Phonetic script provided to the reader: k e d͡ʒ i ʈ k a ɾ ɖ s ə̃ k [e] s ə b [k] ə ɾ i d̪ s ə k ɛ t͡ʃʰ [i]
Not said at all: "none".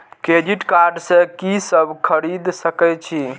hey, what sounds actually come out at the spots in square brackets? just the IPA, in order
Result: i, kʰ, i

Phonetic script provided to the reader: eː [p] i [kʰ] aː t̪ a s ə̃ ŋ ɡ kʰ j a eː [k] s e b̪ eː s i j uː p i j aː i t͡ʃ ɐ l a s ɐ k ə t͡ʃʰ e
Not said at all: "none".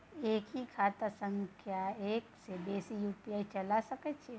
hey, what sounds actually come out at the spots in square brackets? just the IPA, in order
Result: k, kʰ, k

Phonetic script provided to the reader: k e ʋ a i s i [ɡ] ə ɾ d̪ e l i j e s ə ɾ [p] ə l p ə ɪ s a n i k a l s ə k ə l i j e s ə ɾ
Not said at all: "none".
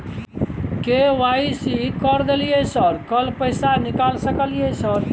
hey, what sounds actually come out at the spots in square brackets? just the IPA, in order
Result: k, k

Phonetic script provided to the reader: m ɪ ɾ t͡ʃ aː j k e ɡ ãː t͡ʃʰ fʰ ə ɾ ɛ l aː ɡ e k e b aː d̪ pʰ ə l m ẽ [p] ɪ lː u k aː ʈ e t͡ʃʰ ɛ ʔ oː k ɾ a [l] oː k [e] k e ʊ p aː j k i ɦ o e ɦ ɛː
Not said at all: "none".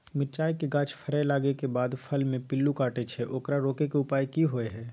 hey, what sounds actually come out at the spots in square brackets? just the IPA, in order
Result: p, ɾ, e

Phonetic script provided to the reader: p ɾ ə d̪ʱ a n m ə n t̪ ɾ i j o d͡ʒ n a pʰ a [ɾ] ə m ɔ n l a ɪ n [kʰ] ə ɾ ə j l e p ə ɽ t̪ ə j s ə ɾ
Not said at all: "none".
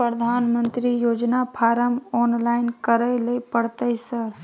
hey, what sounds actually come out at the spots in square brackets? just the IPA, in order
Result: ɾ, k

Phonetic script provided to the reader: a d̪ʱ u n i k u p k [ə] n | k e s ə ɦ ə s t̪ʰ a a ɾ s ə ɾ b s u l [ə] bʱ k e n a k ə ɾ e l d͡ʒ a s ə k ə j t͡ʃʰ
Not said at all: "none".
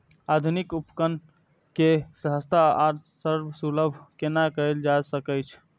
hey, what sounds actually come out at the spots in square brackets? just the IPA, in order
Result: ə, ə

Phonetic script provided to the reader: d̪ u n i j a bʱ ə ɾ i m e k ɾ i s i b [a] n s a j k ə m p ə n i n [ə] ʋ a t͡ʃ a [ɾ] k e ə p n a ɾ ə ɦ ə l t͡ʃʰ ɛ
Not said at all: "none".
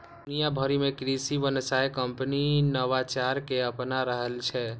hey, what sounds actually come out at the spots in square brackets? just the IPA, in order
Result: ə, ə, ɾ

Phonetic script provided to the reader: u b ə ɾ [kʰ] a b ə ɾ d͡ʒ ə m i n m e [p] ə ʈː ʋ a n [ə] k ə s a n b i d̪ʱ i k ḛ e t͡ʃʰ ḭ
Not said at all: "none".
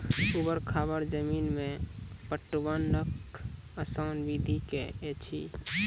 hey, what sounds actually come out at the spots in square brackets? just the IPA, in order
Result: kʰ, p, ə

